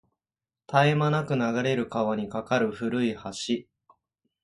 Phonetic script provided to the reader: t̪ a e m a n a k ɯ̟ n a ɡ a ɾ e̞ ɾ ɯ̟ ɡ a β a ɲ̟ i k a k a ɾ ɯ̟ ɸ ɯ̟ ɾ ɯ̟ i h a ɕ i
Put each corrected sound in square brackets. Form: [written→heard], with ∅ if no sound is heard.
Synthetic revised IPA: t̪ a e m a n a k ɯ̟ n a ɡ a ɾ e̞ ɾ ɯ̟ [ɡ→k] a β a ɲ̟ i k a k a ɾ ɯ̟ ɸ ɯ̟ ɾ ɯ̟ i h a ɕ i